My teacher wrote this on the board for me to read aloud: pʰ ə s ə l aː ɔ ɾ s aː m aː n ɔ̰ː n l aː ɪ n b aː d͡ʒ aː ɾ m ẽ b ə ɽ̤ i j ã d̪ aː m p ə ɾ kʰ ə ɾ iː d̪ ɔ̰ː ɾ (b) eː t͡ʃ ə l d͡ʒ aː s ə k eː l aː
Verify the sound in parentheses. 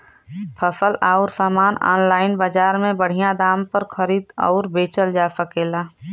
correct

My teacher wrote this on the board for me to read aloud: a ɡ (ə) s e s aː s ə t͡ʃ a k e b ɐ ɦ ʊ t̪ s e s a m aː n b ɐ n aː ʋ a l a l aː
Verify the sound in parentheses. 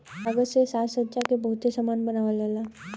correct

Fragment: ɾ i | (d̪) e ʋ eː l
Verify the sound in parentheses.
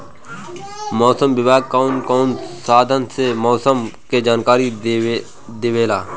correct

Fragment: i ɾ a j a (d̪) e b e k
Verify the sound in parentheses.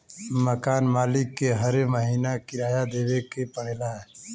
correct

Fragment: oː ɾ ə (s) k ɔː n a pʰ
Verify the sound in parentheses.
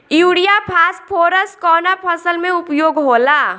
correct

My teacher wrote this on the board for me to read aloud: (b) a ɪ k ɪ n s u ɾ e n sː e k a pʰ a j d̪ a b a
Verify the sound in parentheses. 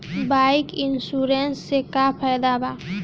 correct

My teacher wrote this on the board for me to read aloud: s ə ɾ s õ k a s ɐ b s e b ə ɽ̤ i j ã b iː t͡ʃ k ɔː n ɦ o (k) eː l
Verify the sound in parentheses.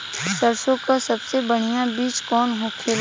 incorrect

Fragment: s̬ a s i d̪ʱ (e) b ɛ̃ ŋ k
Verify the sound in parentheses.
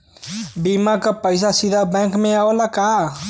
incorrect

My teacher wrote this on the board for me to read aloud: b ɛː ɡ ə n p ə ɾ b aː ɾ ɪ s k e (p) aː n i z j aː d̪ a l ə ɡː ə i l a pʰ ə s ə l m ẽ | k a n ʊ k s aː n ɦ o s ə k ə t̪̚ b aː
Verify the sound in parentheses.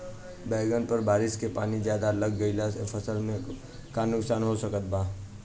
correct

